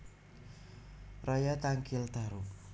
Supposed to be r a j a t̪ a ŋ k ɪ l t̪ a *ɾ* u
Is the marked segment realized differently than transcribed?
no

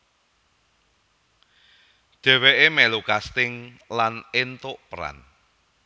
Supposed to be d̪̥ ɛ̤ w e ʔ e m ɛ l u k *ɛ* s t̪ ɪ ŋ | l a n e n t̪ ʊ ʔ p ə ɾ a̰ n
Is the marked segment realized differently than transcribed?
yes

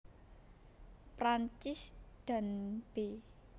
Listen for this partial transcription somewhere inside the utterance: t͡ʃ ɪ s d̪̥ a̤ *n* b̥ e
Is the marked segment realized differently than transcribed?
no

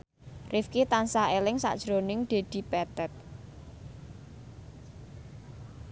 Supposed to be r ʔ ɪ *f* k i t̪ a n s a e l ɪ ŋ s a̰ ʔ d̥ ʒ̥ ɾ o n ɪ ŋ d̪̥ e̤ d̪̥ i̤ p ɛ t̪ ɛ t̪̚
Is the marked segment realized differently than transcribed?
no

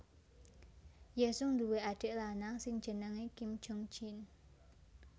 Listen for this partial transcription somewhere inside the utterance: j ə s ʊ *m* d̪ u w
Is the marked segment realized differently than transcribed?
yes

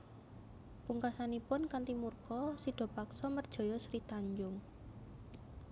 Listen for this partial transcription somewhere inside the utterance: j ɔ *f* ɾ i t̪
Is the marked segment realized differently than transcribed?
yes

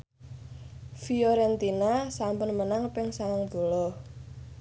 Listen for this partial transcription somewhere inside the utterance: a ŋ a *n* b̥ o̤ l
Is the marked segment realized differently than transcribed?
yes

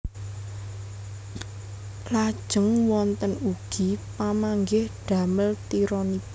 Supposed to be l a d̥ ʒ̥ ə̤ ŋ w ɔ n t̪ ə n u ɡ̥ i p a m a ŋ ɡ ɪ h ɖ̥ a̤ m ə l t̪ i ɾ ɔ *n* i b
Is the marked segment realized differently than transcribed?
no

